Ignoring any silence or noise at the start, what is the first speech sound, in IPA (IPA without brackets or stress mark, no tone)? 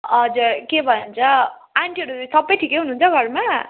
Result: ʌ